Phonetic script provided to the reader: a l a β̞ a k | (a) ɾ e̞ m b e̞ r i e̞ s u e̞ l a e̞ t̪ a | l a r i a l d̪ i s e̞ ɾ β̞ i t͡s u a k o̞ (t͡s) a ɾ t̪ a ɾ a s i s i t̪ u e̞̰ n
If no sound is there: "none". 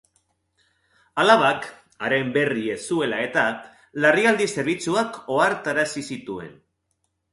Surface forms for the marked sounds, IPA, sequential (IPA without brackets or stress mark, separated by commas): a, none